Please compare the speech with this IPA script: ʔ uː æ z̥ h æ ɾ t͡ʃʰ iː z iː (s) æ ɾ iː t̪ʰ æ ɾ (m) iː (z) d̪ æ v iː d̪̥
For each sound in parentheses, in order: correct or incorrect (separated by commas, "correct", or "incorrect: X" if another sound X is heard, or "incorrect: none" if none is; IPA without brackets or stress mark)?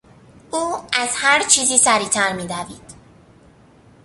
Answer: correct, correct, incorrect: none